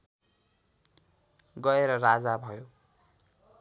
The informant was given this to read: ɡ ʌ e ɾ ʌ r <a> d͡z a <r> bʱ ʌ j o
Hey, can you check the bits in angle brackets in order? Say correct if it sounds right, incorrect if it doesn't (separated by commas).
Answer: correct, incorrect